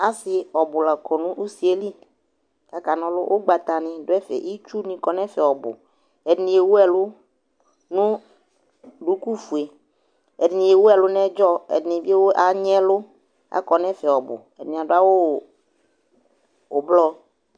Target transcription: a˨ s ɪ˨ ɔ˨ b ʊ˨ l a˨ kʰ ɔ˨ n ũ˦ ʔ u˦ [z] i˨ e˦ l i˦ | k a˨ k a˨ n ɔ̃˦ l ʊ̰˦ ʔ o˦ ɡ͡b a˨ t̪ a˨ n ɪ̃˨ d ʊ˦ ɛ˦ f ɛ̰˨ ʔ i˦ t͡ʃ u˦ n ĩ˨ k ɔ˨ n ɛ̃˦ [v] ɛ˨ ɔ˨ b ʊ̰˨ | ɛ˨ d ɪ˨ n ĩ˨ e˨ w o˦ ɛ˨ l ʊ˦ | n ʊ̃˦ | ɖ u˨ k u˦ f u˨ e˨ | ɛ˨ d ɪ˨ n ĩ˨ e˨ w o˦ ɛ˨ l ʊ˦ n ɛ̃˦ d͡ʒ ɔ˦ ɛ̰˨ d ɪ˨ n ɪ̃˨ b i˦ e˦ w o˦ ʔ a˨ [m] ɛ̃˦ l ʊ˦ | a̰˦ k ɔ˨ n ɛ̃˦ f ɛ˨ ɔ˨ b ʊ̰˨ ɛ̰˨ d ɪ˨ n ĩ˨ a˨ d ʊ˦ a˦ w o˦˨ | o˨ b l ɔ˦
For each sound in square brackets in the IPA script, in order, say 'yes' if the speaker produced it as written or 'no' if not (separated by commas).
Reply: no, no, no